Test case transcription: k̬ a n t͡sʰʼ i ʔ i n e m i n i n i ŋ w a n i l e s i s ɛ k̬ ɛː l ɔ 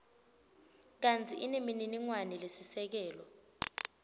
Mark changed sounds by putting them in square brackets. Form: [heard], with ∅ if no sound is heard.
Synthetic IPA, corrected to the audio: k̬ a n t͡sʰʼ i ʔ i n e m i n i n i ŋ w a n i l e s i s ɛ k̬ ɛː l ɔ

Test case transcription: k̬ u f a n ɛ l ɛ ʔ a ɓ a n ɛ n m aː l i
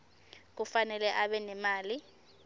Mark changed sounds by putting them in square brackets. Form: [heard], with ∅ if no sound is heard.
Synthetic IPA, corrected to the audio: k̬ u f a n ɛ l ɛ ʔ a ɓ [ɛ] n ɛ [∅] m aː l i

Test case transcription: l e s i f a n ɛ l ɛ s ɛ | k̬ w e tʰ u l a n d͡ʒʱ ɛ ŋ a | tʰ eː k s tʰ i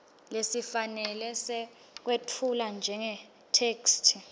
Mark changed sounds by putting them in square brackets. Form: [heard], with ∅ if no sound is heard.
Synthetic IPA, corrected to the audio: l e s i f a n ɛ l ɛ s ɛ | k̬ w e tʰ u l a n d͡ʒʱ ɛ ŋ [ɛ] | tʰ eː k s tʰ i

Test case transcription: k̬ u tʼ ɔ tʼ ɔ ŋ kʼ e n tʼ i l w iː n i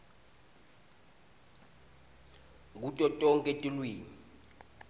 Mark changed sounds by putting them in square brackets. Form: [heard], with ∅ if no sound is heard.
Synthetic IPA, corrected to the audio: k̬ u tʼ ɔ tʼ ɔ ŋ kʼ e [∅] tʼ i l w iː n i

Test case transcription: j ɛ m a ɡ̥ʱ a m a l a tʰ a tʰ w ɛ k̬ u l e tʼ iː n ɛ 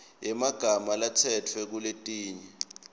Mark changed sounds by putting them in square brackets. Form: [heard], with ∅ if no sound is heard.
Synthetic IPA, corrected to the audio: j ɛ m a ɡ̥ʱ a m a l a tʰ [ɛ] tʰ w ɛ k̬ u l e tʼ iː [ɲ] ɛ

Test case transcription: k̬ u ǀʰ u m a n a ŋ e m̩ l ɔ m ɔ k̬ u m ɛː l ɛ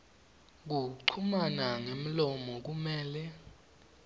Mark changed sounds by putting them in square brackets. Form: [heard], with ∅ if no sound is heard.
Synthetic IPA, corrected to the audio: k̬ u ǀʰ u m a n a ŋ e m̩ l ɔ m ɔ k̬ u m ɛː l ɛ

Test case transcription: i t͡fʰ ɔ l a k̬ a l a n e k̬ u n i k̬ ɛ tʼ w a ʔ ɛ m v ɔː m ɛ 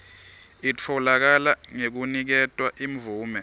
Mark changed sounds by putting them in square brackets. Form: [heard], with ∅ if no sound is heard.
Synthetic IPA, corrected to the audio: i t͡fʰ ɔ l a k̬ a l a [ŋ] e k̬ u n i k̬ ɛ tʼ w a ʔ [i] m v [uː] m ɛ

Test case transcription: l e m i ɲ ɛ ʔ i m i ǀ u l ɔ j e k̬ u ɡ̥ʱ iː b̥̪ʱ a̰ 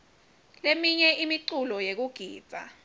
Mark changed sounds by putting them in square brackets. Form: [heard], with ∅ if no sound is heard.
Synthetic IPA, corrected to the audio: l e m i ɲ ɛ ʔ i m i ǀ u l ɔ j e k̬ u ɡ̥ʱ iː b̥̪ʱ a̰

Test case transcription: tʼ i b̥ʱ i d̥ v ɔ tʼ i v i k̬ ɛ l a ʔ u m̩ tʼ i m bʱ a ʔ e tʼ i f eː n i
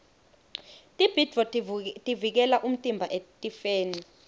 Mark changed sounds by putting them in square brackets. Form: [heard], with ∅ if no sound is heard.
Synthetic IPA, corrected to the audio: tʼ i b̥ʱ i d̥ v ɔ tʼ i v i k̬ ɛ l a ʔ u m̩ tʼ i m bʱ a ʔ e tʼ i f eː n i

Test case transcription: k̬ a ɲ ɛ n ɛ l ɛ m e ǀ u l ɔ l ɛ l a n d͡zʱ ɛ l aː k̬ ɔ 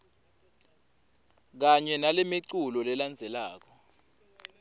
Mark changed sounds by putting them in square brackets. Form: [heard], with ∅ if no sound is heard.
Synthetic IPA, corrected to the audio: k̬ a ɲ ɛ n [a] l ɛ m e ǀ u l ɔ l ɛ l a n d͡zʱ ɛ l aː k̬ ɔ

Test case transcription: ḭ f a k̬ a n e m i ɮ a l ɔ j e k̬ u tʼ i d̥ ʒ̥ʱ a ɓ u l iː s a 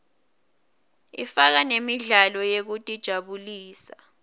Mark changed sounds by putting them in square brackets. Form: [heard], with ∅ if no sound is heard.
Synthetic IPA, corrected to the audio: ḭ f a k̬ a n e m i ɮ a l ɔ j e k̬ u tʼ i d̥ ʒ̥ʱ a ɓ u l iː s a

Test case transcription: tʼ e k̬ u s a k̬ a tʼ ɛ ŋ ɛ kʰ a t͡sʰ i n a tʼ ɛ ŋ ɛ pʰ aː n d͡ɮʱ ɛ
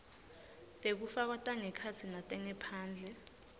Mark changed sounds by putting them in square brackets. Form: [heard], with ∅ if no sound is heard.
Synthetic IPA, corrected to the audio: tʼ e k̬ u [f] a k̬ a tʼ [a] ŋ ɛ kʰ a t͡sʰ i n a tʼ ɛ ŋ ɛ pʰ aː n d͡ɮʱ ɛ

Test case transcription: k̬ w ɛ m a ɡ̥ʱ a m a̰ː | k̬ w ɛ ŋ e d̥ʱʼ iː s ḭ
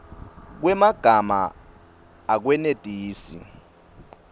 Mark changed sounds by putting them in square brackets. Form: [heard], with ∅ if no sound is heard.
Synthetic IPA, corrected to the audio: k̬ w ɛ m a ɡ̥ʱ a m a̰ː | k̬ w ɛ [n] e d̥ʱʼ iː s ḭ

